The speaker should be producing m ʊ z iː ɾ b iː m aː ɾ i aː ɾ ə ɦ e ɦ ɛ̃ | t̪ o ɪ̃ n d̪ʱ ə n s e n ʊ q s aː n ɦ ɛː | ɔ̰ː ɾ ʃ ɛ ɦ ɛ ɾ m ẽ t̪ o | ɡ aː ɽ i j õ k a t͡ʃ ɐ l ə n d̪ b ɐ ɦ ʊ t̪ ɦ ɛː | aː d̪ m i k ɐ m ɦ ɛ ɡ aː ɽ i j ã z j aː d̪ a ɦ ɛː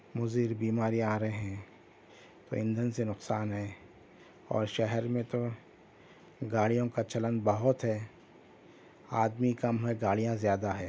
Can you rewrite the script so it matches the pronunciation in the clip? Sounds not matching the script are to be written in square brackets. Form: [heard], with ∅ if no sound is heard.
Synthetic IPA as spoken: m ʊ z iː ɾ b iː m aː ɾ i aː ɾ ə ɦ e ɦ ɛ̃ | t̪ o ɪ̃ n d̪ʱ ə n s e n ʊ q s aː n ɦ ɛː | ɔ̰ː ɾ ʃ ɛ ɦ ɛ ɾ m ẽ t̪ o | ɡ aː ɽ i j õ k a t͡ʃ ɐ l ə n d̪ b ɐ ɦ ʊ t̪ ɦ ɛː | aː d̪ m i k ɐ m ɦ ɛ ɡ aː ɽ i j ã z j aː d̪ a ɦ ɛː